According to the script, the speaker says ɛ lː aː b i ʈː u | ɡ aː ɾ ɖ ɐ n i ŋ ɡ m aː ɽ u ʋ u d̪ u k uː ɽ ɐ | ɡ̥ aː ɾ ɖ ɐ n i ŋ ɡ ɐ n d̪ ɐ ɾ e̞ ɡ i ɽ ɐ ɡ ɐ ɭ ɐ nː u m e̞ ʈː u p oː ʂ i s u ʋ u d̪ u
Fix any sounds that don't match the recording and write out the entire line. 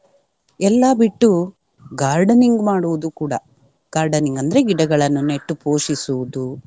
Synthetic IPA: ɛ lː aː b i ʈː u | ɡ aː ɾ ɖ ɐ n i ŋ ɡ m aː ɽ u ʋ u d̪ u k uː ɽ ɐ | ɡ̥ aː ɾ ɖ ɐ n i ŋ ɡ ɐ n d̪ ɐ ɾ e̞ ɡ i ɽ ɐ ɡ ɐ ɭ ɐ nː u n e̞ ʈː u p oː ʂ i s u ʋ u d̪ u

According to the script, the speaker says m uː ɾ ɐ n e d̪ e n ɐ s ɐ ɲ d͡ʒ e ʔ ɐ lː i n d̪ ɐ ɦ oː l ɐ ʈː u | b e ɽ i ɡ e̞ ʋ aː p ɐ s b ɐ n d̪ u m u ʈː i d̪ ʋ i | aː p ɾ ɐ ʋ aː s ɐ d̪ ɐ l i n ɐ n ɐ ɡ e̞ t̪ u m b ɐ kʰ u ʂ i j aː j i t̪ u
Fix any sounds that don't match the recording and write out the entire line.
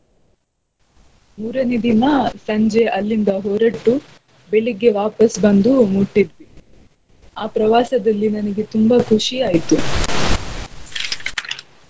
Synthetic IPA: m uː ɾ ɐ n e d̪ i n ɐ s ɐ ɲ d͡ʒ e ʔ ɐ lː i n d̪ ɐ ɦ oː ɾ ɐ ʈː u | b e ɭ i ɡ e̞ ʋ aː p ɐ s b ɐ n d̪ u m u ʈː i d̪ ʋ i | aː p ɾ ɐ ʋ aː s ɐ d̪ ɐ lː i n ɐ n ɐ ɡ e̞ t̪ u m b ɐ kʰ u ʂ i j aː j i t̪ u

